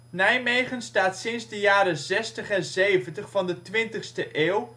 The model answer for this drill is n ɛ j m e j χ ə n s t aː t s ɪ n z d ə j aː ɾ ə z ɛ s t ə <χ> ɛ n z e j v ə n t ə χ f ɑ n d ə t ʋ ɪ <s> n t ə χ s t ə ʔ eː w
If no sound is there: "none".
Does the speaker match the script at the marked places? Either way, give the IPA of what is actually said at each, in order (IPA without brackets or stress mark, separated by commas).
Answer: χ, none